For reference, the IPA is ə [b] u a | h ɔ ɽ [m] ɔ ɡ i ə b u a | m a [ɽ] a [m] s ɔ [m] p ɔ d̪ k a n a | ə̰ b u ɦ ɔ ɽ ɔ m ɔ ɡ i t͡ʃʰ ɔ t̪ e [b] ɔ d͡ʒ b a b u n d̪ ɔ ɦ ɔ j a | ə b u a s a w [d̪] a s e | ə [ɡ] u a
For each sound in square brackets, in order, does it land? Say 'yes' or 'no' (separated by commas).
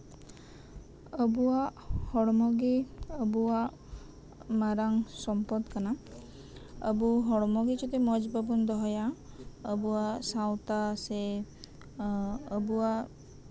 yes, yes, no, no, yes, no, no, no